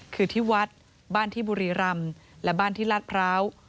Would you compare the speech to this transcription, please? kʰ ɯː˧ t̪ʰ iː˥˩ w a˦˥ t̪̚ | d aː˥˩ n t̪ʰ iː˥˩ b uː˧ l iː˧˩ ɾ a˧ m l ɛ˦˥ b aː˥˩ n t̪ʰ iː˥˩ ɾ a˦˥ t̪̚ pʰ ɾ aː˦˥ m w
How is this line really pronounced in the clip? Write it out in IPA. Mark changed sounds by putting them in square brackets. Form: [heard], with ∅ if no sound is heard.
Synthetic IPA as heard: kʰ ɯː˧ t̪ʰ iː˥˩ w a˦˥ t̪̚ | [b] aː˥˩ n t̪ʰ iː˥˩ b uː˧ [ɾ] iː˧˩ ɾ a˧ m l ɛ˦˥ b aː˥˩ n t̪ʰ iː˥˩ [l] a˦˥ t̪̚ pʰ ɾ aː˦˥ [∅] w